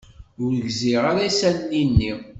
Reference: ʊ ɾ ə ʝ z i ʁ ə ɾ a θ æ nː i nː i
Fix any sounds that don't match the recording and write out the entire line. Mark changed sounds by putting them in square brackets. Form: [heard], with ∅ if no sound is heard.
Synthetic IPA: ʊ ɾ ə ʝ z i ʁ [a] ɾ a [s] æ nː i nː i